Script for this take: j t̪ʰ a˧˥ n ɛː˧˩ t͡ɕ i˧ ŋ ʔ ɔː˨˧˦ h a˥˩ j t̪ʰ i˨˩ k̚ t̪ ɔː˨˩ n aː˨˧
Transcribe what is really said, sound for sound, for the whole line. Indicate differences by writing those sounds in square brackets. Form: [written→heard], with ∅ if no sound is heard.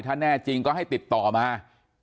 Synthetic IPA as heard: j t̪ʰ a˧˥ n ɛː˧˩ t͡ɕ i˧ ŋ [ʔ→k] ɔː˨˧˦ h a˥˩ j [t̪ʰ→t̪] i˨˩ [k̚→p̚] t̪ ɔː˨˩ [n→m] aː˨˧